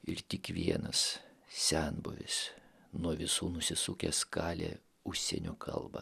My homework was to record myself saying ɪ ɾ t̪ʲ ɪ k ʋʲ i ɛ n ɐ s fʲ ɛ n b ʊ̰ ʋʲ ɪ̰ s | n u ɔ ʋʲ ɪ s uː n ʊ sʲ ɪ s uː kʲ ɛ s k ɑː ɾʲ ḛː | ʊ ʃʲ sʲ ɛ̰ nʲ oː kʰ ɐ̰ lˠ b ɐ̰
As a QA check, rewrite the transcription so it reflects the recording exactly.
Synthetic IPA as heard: ɪ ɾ t̪ʲ ɪ k ʋʲ i ɛ n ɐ s sʲ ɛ n b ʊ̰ ʋʲ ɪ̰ s | n u ɔ ʋʲ ɪ s uː n ʊ sʲ ɪ s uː kʲ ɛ s k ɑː lʲ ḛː | ʊ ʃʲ sʲ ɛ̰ nʲ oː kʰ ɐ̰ lˠ b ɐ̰